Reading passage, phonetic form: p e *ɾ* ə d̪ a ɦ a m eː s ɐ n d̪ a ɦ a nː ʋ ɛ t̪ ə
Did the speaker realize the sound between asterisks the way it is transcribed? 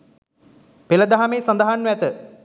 no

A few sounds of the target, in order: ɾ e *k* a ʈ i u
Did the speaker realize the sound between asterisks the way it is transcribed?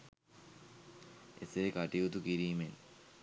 yes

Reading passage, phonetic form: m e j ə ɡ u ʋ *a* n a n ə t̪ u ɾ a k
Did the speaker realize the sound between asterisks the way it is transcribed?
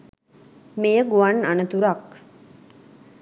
yes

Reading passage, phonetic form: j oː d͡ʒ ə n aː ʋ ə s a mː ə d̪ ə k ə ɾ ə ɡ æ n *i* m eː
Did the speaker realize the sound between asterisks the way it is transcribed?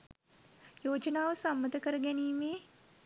no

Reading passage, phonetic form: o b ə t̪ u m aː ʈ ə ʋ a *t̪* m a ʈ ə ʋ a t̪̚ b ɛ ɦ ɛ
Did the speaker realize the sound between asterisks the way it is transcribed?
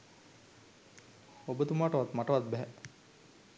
yes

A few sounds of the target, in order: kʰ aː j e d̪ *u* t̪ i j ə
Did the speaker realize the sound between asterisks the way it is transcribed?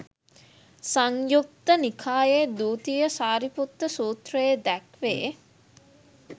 no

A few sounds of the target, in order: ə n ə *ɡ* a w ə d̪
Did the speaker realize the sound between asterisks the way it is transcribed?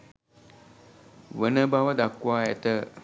no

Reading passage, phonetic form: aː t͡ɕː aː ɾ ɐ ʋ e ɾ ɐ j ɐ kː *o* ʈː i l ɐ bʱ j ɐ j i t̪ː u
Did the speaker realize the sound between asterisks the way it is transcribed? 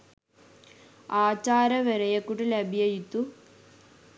no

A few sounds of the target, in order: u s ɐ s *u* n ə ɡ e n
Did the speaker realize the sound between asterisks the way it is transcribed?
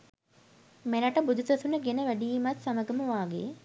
yes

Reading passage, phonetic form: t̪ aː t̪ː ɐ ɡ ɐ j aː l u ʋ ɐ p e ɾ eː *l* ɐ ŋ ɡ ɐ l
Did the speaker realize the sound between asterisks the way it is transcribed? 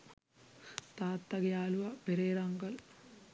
no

